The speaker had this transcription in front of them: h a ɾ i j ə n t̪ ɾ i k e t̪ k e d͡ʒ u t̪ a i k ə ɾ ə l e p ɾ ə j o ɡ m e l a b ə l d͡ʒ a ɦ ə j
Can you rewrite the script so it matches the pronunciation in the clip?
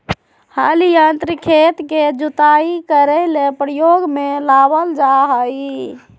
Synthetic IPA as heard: h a l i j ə n t̪ ɾ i kʰ e t̪ k e d͡ʒ u t̪ a i k ə ɾ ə l e p ɾ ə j o ɡ m e l a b ə l d͡ʒ a ɦ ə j